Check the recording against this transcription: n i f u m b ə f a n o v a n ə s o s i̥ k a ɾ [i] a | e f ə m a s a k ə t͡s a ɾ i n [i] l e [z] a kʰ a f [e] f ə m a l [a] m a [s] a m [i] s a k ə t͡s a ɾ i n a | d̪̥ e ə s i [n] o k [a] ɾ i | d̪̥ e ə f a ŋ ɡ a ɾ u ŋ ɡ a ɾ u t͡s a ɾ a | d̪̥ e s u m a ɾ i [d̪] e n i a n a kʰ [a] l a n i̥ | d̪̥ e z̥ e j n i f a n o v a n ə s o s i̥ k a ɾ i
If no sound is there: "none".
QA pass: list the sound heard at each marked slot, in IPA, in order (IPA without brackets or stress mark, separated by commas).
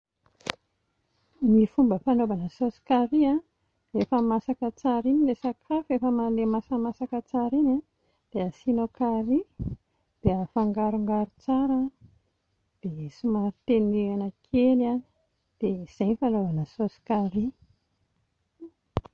i, i, s, e, e, s, a, n, a, t̪, e